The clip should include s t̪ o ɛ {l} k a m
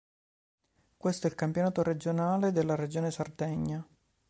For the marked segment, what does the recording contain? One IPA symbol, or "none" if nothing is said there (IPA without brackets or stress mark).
l